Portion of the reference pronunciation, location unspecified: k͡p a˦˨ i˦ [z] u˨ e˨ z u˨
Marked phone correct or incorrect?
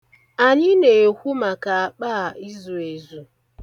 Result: correct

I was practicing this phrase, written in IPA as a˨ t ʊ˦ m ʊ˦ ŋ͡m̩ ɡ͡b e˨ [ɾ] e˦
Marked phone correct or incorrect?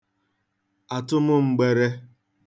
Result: correct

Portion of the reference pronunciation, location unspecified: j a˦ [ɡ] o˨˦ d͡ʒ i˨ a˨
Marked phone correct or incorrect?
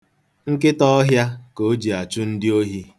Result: incorrect: k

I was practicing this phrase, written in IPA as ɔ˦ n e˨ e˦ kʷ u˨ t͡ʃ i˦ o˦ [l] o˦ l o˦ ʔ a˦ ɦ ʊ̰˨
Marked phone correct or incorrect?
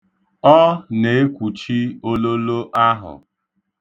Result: correct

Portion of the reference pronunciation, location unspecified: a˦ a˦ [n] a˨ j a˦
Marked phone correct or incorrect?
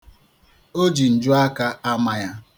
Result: incorrect: m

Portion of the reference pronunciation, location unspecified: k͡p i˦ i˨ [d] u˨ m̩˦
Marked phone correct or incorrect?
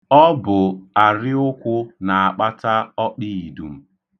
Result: correct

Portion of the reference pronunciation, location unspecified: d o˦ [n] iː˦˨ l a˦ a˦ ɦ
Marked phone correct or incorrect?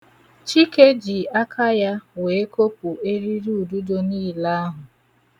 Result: correct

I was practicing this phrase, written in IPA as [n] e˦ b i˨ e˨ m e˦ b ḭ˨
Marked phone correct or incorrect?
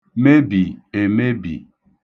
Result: incorrect: m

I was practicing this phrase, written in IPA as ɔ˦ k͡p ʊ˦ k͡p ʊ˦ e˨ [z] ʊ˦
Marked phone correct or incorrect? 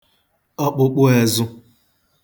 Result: correct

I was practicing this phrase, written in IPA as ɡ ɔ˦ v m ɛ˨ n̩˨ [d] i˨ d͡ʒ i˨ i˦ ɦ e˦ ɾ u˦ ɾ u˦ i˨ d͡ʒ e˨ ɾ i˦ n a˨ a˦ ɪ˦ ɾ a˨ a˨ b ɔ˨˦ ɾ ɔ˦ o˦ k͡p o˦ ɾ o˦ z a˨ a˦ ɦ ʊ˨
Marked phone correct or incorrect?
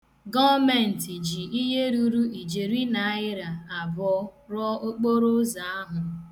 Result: incorrect: t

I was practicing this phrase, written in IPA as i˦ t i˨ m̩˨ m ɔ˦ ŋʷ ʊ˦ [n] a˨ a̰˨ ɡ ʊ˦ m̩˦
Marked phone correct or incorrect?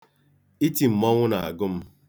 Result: correct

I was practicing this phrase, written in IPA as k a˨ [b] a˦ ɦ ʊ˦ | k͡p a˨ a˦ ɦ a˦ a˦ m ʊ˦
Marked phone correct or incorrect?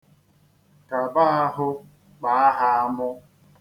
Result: correct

